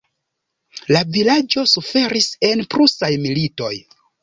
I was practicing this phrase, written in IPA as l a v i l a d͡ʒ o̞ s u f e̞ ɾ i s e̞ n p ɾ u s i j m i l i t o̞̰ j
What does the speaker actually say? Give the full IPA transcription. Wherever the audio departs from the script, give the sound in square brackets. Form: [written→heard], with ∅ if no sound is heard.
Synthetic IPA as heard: l a v i l a d͡ʒ o̞ s u f e̞ ɾ i s e̞ n p ɾ u s [i→a] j m i l i t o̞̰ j